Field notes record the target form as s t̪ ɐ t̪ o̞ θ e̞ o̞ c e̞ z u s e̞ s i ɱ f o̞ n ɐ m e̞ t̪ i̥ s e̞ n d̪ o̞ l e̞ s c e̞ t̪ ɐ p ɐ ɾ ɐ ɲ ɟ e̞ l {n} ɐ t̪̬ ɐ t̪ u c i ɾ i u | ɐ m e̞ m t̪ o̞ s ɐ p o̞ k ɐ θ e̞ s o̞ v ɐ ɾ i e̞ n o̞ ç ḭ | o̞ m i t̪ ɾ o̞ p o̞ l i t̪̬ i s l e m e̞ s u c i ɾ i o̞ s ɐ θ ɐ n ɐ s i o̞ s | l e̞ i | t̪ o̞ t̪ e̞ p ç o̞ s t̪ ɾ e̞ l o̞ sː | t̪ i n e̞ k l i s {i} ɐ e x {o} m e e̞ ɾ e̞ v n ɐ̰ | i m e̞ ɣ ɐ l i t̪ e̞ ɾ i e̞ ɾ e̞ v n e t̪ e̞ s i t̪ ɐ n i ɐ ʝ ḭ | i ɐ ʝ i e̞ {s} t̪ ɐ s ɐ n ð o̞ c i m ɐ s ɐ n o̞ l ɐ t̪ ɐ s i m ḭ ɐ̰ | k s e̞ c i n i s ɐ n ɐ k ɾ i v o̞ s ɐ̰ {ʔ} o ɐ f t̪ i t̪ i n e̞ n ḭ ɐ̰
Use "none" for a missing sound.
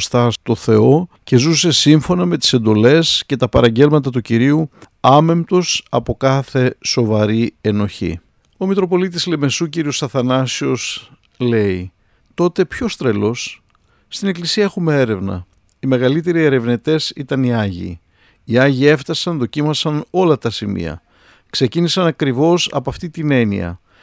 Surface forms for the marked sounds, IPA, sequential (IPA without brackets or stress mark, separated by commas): m, i, u, f, p